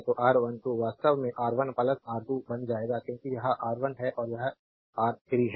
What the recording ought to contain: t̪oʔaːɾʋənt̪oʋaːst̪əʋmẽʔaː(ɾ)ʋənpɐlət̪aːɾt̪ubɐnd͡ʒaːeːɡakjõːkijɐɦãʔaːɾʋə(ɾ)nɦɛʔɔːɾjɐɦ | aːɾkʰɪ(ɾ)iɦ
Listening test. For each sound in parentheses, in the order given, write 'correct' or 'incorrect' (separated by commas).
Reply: correct, incorrect, correct